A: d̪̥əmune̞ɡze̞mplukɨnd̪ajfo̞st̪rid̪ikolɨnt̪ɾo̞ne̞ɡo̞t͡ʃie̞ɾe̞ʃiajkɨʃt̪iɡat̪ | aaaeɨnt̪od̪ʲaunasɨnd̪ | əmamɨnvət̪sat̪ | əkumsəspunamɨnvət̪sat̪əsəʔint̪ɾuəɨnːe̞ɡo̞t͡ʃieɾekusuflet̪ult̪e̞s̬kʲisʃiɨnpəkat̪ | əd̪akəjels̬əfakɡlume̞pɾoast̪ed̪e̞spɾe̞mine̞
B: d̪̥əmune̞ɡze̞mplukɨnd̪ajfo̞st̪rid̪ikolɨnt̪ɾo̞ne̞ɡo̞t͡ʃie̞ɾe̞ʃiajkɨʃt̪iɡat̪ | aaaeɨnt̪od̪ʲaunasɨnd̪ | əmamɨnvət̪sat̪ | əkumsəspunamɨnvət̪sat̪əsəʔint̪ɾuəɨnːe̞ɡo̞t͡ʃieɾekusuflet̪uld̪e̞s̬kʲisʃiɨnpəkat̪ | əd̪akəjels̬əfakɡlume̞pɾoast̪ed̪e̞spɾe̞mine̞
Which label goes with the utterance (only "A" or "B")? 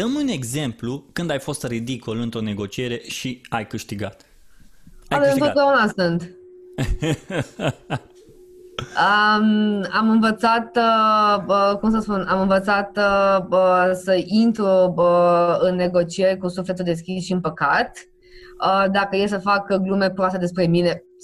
B